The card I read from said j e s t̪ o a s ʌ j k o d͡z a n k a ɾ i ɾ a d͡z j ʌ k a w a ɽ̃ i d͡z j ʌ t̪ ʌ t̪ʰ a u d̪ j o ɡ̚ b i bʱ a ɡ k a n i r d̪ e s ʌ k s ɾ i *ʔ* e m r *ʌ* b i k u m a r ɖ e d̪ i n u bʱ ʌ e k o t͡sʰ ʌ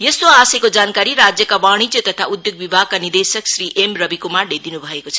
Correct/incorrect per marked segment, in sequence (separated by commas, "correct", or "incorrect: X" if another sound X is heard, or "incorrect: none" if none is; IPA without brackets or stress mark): correct, correct